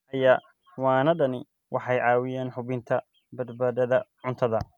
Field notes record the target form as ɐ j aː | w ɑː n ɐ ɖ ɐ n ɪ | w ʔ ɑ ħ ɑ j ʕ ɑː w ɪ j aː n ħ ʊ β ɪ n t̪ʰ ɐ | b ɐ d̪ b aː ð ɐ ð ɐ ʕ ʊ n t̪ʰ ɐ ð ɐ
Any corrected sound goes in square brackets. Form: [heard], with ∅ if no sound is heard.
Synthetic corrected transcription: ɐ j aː | w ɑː n ɐ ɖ ɐ n ɪ | w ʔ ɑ ħ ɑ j ʕ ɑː w ɪ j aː n ħ ʊ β ɪ n t̪ʰ ɐ | b ɐ d̪ b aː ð ɐ ð ɐ ʕ ʊ n t̪ʰ ɐ ð ɐ